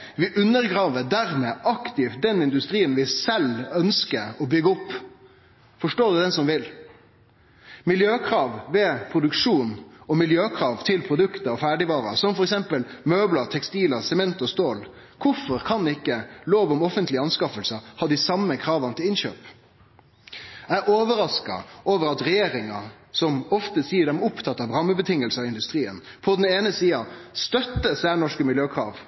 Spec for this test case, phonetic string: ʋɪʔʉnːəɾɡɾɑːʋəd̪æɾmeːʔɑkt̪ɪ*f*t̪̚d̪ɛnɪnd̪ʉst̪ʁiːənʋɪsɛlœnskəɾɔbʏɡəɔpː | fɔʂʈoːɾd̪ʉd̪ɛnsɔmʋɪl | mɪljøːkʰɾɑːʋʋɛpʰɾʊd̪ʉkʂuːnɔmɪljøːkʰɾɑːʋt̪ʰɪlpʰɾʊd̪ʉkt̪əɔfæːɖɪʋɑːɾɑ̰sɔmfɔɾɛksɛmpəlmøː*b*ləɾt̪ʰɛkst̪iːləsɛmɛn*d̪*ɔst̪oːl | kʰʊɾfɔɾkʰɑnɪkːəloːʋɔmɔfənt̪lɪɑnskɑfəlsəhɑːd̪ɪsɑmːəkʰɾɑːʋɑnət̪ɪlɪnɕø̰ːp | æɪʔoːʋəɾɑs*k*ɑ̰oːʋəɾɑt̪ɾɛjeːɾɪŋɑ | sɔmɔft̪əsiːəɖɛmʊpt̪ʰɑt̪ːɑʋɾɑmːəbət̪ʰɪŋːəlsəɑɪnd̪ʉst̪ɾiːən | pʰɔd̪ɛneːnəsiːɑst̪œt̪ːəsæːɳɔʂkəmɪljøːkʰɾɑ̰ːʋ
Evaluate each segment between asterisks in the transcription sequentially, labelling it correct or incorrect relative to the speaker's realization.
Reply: correct, correct, incorrect, correct

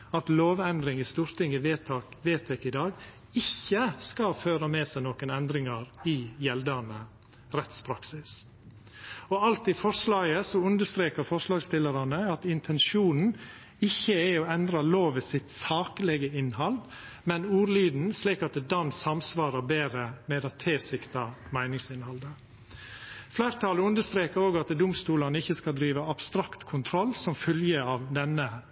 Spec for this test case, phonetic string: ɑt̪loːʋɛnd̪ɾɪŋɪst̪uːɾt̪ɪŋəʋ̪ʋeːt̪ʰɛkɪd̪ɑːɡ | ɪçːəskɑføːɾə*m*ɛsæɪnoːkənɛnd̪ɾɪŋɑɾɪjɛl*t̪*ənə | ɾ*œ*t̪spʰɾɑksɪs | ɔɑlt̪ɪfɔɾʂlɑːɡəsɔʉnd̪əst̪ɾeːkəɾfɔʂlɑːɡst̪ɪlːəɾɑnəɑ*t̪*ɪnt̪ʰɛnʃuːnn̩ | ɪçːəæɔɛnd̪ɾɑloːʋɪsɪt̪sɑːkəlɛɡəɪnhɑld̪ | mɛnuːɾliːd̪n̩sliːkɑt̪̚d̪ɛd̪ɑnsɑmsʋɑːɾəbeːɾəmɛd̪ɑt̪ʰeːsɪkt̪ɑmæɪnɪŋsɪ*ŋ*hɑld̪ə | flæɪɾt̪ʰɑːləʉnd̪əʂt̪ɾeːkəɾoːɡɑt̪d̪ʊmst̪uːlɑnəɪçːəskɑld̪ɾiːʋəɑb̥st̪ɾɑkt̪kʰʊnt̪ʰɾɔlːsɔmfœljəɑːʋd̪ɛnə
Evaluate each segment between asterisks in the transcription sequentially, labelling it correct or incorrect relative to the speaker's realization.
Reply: correct, incorrect, incorrect, correct, incorrect

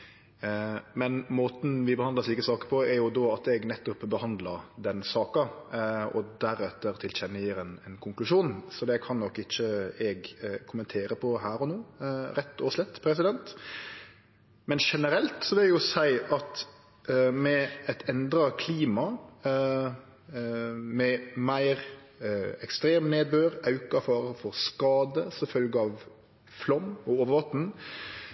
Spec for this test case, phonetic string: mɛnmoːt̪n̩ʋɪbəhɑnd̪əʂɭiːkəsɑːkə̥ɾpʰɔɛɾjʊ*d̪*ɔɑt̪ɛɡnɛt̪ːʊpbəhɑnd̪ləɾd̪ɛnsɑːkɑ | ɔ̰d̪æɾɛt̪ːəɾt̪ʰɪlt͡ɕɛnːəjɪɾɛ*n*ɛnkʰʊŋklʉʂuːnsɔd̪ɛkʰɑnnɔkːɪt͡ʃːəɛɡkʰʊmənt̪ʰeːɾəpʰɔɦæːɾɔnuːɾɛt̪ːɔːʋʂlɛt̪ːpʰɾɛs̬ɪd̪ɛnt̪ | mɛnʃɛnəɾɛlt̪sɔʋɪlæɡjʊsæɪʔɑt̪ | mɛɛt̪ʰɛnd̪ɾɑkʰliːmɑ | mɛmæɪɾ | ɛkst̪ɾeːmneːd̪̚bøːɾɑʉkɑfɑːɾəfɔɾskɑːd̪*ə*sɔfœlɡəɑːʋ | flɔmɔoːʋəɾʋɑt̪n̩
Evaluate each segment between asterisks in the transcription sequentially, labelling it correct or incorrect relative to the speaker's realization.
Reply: correct, correct, correct

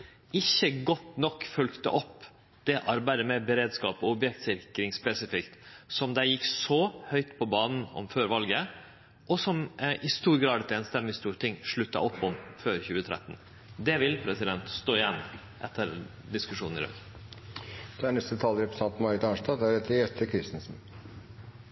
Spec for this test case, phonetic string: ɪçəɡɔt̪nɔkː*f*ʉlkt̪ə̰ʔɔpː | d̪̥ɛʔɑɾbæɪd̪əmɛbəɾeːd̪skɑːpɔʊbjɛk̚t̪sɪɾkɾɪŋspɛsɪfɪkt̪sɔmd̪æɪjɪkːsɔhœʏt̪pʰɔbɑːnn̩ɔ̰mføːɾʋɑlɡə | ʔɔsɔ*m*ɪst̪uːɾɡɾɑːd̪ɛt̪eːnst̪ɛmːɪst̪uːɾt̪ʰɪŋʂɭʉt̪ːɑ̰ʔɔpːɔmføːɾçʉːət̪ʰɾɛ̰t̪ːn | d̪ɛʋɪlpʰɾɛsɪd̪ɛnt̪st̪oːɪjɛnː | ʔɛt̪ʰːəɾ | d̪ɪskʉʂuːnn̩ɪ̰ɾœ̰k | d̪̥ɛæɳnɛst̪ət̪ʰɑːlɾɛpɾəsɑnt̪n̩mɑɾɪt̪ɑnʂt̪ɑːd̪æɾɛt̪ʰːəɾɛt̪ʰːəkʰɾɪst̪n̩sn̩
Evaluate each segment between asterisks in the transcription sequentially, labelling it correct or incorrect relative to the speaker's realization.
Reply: correct, correct

